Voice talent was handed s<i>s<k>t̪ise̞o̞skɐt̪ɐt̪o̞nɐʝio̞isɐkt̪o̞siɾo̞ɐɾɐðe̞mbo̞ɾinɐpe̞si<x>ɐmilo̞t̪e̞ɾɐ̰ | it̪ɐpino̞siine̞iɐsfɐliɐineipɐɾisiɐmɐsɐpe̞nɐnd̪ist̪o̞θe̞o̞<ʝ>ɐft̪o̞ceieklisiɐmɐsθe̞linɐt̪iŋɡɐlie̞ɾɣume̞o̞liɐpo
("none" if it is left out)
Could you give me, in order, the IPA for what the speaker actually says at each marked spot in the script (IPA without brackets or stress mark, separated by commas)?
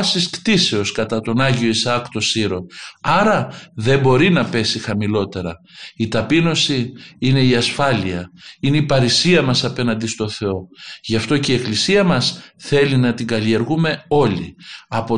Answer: i, k, x, ʝ